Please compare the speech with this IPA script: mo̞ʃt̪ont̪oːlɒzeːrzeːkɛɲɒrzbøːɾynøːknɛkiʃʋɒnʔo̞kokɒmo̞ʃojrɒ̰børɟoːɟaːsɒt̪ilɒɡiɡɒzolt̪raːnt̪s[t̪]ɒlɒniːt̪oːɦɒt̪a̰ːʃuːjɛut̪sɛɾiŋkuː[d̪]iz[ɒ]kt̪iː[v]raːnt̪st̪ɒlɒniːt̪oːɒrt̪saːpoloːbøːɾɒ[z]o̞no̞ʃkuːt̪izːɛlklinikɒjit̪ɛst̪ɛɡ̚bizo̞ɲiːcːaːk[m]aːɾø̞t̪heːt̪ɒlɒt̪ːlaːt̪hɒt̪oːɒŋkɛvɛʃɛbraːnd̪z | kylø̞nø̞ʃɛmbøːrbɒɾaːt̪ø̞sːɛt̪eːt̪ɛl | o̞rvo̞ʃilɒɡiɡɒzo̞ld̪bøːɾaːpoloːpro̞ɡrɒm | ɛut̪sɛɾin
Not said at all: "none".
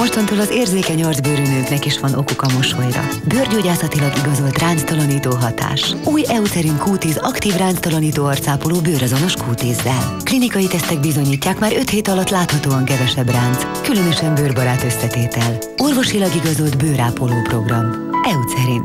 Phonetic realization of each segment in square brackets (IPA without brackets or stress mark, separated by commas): t̪, t̪, ɒ, v, z, m